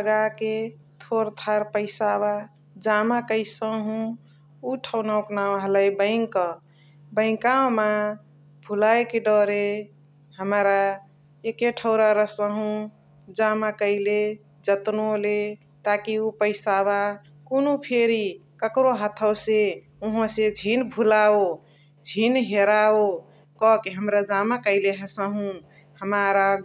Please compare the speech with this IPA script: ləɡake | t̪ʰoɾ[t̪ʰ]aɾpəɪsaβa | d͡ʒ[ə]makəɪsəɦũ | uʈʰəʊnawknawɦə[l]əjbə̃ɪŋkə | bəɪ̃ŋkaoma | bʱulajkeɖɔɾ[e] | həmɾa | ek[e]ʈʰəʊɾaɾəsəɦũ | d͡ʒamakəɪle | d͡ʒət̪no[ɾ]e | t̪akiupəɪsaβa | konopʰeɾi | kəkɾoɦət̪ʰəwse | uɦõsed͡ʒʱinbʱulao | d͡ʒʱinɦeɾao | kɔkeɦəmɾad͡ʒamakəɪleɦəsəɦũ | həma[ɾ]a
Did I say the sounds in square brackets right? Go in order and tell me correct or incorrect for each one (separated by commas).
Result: correct, incorrect, correct, correct, correct, incorrect, correct